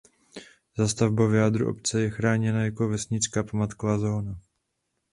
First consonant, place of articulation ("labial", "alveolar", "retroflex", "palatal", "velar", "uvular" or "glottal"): alveolar